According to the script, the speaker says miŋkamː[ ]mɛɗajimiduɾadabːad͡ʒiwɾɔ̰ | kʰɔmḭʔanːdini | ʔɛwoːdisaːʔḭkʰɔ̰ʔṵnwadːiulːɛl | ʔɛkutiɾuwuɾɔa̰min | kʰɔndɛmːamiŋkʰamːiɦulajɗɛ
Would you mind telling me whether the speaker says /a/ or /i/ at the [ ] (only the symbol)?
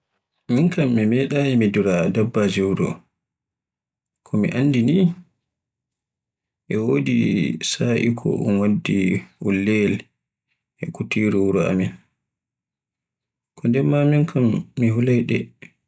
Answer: i